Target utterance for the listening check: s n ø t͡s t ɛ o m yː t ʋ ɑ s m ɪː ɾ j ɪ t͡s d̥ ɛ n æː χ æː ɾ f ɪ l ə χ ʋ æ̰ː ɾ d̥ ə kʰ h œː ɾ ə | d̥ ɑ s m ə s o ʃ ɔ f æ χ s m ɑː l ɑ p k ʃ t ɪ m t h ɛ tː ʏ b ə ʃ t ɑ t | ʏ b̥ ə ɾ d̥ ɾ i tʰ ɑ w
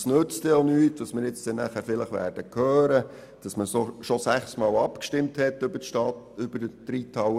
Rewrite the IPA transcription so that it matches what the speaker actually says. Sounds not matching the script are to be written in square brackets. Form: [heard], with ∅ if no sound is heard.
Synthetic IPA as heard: s n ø t͡s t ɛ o [n] yː t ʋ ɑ s m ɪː ɾ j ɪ t͡s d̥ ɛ n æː χ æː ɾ f ɪ l ə χ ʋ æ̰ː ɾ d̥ ə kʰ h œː ɾ ə | d̥ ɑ s m ə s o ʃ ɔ [s] æ χ s m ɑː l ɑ p k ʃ t ɪ m t h ɛ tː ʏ b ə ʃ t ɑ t | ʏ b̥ ə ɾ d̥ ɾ i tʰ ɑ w

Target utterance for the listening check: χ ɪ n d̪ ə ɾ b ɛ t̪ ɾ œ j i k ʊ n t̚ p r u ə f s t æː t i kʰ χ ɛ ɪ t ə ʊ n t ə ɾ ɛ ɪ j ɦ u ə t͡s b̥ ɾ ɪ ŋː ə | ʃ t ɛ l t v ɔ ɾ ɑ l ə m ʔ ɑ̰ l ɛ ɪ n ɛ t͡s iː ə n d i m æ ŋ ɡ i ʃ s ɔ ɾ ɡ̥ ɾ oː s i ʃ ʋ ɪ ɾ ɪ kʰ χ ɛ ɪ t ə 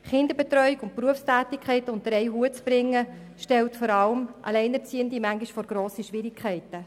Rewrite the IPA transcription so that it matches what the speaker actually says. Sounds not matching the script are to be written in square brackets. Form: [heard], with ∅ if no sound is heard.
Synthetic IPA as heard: χ ɪ n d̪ ə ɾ b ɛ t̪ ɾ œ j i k ʊ n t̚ p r u ə f s t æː t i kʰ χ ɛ ɪ t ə ʊ n t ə ɾ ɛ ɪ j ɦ u ə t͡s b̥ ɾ ɪ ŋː ə | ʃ t ɛ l t [f] ɔ ɾ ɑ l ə m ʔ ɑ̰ l ɛ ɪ n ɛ t͡s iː ə n d i m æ ŋ ɡ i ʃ [f] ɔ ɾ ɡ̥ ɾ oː s i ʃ ʋ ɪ ɾ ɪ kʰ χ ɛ ɪ t ə

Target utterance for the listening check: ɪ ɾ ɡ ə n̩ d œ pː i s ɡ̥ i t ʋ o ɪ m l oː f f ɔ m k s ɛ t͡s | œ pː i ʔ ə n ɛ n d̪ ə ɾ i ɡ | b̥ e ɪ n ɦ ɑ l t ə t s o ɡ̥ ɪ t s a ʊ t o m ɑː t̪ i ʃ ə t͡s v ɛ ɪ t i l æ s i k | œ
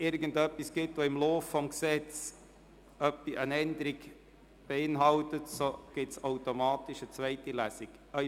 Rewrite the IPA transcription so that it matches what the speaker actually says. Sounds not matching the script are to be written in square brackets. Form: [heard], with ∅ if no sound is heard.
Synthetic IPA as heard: ɪ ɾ ɡ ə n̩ d œ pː i s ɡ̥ [ɪ] t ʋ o ɪ m l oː f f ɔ m k s ɛ t͡s | œ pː i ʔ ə n ɛ n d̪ ə ɾ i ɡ | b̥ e ɪ n ɦ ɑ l t ə t s o ɡ̥ ɪ t s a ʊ t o m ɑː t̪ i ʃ ə t͡s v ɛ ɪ t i l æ s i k | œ

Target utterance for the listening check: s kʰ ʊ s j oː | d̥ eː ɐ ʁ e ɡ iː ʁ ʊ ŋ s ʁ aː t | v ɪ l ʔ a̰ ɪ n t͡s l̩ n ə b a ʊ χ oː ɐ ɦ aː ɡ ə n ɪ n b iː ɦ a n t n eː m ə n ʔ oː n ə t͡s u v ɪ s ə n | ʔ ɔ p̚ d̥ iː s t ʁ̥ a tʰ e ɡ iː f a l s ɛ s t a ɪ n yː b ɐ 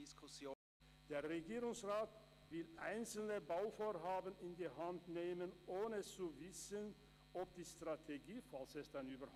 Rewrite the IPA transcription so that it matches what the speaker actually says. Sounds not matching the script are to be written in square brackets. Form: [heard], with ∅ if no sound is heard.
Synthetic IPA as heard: s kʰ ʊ s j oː | d̥ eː ɐ ʁ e ɡ iː ʁ ʊ ŋ s ʁ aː t | v ɪ l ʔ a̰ ɪ n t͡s l̩ n ə b a ʊ [f] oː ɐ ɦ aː [b] ə n ɪ n [d] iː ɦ a n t n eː m ə n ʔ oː n ə t͡s u v ɪ s ə n | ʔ ɔ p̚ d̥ iː s t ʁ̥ a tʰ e ɡ iː f a l s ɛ s t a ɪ n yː b ɐ

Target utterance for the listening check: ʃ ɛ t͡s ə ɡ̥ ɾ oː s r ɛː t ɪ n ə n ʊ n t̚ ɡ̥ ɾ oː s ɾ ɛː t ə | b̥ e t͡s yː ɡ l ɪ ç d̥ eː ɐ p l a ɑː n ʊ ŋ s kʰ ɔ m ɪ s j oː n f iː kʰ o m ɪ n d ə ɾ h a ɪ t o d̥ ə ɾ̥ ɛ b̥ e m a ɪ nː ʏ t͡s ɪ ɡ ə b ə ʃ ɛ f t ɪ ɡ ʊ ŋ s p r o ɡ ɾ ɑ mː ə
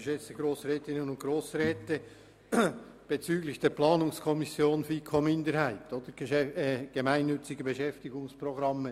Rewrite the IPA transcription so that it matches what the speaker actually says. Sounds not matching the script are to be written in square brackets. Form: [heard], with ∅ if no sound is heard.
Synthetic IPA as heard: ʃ ɛ t͡s ə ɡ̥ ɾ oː s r ɛː t ɪ n ə n ʊ n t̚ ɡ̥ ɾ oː s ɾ ɛː t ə | b̥ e t͡s yː ɡ l ɪ ç d̥ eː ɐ p l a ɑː n ʊ ŋ s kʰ ɔ m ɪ s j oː n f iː kʰ o m ɪ n d ə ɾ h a ɪ t o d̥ ə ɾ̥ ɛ [ɡ̥] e m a ɪ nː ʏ t͡s ɪ ɡ ə b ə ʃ ɛ f t ɪ ɡ ʊ ŋ s p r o ɡ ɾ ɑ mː ə

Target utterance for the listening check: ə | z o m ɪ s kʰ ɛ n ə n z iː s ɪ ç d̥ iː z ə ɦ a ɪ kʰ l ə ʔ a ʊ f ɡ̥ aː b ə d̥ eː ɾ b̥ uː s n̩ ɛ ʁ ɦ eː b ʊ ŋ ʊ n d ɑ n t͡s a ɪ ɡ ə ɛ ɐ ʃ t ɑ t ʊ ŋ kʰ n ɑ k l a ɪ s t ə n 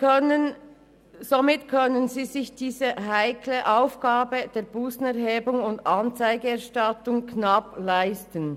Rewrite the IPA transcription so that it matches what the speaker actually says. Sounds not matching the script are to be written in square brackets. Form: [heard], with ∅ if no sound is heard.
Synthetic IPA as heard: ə | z o m ɪ [t] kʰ [œ] n ə n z iː [z] ɪ ç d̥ iː z ə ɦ a ɪ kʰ l ə ʔ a ʊ f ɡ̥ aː b ə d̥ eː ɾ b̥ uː s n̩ ɛ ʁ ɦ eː b ʊ ŋ ʊ n d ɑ n t͡s a ɪ ɡ ə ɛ ɐ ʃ t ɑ t ʊ ŋ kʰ n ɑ [p] l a ɪ s t ə n

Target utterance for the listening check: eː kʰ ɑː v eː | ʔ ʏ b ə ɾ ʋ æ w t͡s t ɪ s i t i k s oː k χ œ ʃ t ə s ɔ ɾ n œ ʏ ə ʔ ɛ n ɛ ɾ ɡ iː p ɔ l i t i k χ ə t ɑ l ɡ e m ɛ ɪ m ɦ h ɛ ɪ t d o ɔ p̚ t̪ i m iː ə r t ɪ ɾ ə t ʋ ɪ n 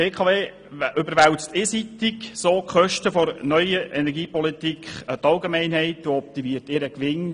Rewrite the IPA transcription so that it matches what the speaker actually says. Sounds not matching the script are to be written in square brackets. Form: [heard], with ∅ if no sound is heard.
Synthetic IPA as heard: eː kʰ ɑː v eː | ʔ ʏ b ə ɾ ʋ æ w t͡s t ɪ s i t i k s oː k χ œ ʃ t ə [f] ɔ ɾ n œ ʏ ə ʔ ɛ n ɛ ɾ ɡ iː p ɔ l i t i k χ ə t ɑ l ɡ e m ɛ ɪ [n] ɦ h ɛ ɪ t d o ɔ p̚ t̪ i m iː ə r t ɪ ɾ ə [k] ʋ ɪ n

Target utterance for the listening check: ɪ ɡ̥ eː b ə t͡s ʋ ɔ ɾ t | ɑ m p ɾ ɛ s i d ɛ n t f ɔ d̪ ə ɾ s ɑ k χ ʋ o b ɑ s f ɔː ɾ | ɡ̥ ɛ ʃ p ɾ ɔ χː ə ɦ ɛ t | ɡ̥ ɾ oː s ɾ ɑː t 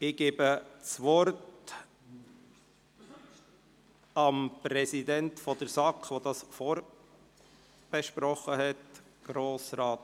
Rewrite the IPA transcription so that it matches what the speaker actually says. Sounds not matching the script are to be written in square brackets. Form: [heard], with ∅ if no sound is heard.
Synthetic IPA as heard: ɪ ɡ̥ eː b ə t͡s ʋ ɔ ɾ t | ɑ m p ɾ ɛ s i d ɛ n t f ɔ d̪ ə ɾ s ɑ k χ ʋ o [d] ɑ s f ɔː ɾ | [b̥] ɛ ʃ p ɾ ɔ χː ə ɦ ɛ t | ɡ̥ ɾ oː s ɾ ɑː t

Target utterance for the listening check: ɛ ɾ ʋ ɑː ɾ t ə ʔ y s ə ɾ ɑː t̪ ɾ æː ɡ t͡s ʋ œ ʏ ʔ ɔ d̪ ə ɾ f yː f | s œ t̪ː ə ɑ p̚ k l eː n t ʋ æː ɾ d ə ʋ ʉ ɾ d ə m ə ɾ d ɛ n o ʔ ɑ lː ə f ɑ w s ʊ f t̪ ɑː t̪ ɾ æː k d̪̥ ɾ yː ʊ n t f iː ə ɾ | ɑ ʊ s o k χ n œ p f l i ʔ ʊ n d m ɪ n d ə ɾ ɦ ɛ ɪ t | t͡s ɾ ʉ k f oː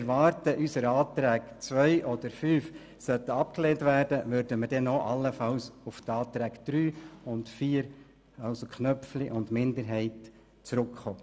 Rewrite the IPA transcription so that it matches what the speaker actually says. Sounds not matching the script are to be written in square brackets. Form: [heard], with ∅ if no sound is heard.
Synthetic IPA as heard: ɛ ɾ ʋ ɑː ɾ t ə ʔ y s ə ɾ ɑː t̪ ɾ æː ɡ t͡s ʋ œ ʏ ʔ ɔ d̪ ə ɾ f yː f | s œ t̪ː ə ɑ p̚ k l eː n t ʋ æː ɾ d ə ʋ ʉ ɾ d ə m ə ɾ d ɛ n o ʔ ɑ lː ə f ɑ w s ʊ f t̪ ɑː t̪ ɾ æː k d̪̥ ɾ yː ʊ n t f iː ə ɾ | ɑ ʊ s o k χ n œ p f l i ʔ ʊ n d m ɪ n d ə ɾ ɦ ɛ ɪ t | t͡s ɾ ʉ k [χ] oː

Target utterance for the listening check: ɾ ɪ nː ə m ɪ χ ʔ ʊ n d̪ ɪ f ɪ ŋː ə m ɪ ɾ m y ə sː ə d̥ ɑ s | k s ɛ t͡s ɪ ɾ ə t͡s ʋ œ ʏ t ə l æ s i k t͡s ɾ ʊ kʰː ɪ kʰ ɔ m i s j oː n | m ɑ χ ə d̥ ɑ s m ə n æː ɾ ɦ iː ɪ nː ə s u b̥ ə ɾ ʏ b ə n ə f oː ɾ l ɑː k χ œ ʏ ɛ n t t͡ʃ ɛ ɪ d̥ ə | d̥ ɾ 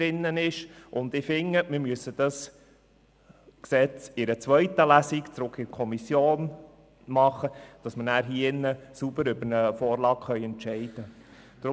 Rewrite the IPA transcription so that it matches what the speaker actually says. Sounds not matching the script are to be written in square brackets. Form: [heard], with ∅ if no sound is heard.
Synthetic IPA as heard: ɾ ɪ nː ə [n] ɪ [ʃ] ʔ ʊ n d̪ ɪ f ɪ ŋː ə m ɪ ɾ m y ə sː ə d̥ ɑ s | k s ɛ t͡s ɪ ɾ ə t͡s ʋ œ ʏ t ə l æ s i k t͡s ɾ ʊ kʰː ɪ kʰ ɔ m i s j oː n | m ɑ χ ə d̥ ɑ s m ə n æː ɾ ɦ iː ɪ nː ə s u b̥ ə ɾ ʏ b ə n ə f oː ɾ l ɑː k χ œ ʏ ɛ n t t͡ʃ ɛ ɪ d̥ ə | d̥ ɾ

